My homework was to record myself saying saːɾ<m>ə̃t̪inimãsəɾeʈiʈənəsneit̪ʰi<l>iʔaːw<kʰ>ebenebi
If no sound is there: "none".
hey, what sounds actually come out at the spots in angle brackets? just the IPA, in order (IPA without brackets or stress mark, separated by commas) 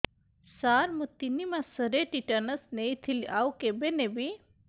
m, l, k